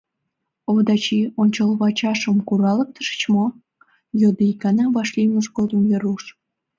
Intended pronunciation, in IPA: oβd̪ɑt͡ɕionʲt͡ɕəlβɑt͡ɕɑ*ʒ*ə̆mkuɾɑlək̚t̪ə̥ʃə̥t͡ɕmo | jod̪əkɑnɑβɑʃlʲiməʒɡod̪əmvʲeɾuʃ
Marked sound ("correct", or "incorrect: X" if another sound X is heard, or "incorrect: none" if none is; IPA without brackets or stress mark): incorrect: ʃ